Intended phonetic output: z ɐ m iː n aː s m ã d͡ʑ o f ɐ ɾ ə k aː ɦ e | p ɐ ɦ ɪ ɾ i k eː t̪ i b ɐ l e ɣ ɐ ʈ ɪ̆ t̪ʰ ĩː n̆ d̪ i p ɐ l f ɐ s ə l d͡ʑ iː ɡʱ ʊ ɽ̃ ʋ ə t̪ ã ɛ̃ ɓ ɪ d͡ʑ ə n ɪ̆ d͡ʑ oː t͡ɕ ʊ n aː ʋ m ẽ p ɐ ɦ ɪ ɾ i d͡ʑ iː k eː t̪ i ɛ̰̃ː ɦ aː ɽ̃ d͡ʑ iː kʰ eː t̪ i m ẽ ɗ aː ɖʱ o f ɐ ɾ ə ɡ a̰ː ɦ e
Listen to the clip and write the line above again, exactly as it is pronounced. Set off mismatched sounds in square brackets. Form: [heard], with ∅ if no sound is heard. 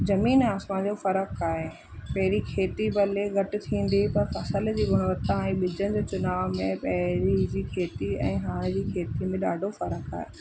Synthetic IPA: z ɐ m iː n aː s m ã d͡ʑ o f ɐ ɾ ə k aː ɦ e | p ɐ ɦ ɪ ɾ i [kʰ] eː t̪ i b ɐ l e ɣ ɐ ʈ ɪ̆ t̪ʰ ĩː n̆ d̪ i p ɐ [ɾ] f ɐ s ə l d͡ʑ iː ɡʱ ʊ ɽ̃ ʋ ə t̪ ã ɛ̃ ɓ ɪ d͡ʑ ə n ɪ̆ d͡ʑ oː t͡ɕ ʊ n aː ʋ m ẽ p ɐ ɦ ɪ ɾ i d͡ʑ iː [kʰ] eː t̪ i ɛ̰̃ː ɦ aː ɽ̃ d͡ʑ iː kʰ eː t̪ i m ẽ ɗ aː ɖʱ o f ɐ ɾ ə [k] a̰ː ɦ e